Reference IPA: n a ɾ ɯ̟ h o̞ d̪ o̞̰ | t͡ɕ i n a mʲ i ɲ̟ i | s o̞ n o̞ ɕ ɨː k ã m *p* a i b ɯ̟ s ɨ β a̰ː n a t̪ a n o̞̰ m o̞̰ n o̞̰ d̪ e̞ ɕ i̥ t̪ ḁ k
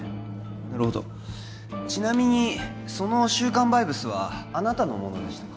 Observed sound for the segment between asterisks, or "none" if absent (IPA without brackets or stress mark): b